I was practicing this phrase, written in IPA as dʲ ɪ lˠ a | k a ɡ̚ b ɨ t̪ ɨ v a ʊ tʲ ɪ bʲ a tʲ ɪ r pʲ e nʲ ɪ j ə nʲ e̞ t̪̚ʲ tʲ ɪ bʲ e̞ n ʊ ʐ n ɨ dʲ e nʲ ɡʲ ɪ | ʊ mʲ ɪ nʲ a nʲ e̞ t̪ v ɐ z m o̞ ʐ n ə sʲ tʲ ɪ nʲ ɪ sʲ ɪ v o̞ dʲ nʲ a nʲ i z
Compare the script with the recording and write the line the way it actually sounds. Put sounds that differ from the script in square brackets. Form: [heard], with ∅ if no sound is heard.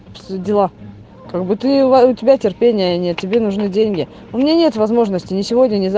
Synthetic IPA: dʲ ɪ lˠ a | k a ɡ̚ b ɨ t̪ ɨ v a ʊ tʲ ɪ bʲ a tʲ ɪ r pʲ e nʲ ɪ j ə nʲ e̞ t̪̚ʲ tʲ ɪ bʲ e̞ n ʊ ʐ n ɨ dʲ e nʲ ɡʲ ɪ | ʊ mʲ ɪ nʲ a nʲ e̞ t̪ v ɐ z m o̞ ʐ n ə sʲ tʲ ɪ nʲ ɪ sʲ ɪ v o̞ dʲ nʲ [ə] nʲ [ɪ] z